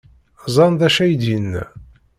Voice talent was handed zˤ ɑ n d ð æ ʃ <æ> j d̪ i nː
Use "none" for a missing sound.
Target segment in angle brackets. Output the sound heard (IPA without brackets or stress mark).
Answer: æ